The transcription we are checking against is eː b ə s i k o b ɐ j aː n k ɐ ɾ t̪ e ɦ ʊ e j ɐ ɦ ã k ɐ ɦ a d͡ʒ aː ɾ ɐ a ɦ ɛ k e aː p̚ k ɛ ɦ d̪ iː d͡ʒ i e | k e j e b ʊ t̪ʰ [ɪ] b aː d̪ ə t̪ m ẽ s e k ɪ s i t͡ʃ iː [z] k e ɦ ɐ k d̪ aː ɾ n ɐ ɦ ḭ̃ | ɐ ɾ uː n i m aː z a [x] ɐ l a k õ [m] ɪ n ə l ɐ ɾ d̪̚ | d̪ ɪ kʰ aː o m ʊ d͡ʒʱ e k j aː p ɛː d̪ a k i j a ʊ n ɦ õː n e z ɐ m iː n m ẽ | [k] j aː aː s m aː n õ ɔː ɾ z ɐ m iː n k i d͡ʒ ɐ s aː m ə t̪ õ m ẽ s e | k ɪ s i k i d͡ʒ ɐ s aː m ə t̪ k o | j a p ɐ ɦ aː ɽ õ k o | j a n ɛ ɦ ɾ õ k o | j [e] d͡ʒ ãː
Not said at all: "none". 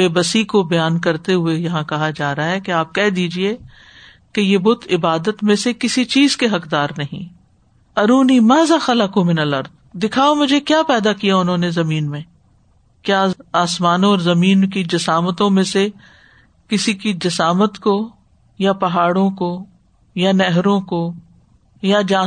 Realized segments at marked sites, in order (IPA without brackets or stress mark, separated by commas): ɪ, z, x, m, k, a